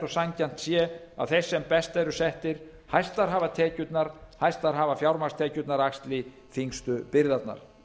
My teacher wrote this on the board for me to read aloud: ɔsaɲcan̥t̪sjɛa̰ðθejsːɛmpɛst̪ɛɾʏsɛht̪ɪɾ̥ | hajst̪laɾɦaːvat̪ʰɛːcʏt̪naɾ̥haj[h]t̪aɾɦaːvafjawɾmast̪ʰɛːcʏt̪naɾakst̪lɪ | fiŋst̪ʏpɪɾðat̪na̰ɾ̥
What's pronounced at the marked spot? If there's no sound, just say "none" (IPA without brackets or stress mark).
s